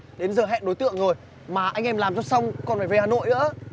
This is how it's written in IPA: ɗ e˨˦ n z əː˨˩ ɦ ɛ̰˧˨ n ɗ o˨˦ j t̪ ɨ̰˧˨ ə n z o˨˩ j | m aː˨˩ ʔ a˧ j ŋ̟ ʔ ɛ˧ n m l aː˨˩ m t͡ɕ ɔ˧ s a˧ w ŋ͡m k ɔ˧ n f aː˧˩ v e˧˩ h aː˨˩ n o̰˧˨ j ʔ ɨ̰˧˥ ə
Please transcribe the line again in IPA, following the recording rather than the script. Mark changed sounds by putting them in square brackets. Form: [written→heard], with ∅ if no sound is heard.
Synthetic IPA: ɗ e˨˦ n z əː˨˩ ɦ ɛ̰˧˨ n ɗ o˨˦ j t̪ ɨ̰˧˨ ə [n→ŋ] z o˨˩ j | m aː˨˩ ʔ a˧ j ŋ̟ ʔ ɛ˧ [n→∅] m l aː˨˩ m t͡ɕ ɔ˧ s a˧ w ŋ͡m k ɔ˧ n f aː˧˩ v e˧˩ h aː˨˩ n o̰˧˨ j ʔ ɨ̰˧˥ ə